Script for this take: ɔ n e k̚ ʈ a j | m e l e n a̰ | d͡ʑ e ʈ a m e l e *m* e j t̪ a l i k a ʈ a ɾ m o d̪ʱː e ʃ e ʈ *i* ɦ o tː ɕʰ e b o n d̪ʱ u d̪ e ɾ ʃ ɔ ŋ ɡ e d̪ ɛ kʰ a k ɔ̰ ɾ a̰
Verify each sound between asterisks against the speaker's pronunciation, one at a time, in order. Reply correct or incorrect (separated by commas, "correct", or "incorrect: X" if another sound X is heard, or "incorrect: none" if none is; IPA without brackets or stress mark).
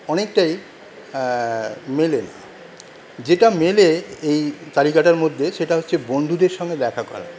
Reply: incorrect: none, incorrect: a